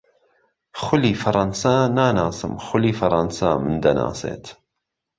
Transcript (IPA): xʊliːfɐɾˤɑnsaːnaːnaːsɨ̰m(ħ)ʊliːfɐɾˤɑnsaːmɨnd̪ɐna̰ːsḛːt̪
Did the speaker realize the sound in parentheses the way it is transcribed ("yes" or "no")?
no